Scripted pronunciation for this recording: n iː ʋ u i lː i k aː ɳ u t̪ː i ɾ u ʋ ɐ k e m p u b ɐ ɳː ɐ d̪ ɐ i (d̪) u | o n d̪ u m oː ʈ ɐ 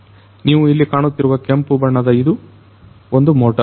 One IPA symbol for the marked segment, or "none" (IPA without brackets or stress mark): d̪